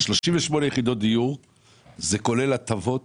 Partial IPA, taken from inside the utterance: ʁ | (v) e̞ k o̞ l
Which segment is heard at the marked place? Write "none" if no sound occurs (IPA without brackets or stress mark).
z